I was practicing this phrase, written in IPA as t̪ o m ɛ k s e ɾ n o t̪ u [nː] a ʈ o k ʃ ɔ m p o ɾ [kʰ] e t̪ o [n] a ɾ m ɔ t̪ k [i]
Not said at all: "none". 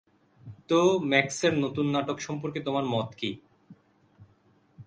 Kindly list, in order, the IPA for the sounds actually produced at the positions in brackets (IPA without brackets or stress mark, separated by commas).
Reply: nː, k, m, i